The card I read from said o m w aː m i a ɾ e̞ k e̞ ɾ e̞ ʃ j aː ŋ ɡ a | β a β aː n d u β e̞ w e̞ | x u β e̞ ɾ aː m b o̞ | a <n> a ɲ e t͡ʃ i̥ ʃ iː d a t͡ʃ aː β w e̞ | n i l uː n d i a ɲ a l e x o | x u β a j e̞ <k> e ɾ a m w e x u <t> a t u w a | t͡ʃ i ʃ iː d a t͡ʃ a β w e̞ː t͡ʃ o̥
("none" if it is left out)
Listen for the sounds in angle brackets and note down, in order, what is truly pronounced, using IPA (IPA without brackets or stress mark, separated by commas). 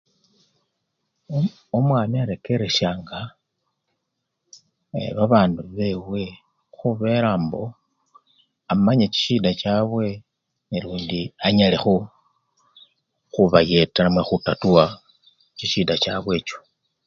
m, t, t